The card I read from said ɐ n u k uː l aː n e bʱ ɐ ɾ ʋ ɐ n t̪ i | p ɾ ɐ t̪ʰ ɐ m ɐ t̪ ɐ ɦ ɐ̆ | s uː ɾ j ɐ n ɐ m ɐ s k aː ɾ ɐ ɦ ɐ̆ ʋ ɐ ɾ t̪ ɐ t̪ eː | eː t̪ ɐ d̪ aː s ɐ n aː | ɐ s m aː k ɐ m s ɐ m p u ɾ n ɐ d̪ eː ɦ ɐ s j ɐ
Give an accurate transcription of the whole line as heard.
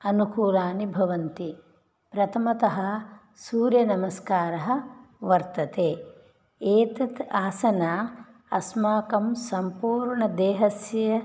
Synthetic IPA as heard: ɐ n u k uː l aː n i bʱ ɐ ʋ ɐ n t̪ i | p ɾ ɐ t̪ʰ ɐ m ɐ t̪ ɐ ɦ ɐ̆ | s uː ɾ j ɐ n ɐ m ɐ s k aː ɾ ɐ ɦ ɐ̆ ʋ ɐ ɾ t̪ ɐ t̪ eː | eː t̪ ɐ t̪ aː s ɐ n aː | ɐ s m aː k ɐ m s ɐ m p uː ɾ ɳ ɐ d̪ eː ɦ ɐ s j ɐ